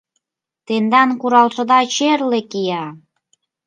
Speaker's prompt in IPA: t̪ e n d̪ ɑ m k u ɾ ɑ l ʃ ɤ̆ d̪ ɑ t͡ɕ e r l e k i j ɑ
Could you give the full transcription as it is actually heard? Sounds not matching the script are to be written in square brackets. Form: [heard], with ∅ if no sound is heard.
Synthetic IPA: t̪ e n d̪ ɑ [n] k u ɾ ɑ l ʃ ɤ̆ d̪ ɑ t͡ɕ e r l e k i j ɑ